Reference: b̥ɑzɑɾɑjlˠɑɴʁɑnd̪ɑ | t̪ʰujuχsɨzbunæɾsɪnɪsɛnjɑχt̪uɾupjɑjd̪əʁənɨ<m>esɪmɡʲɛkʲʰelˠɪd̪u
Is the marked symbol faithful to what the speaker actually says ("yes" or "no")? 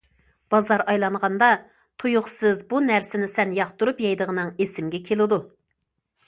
no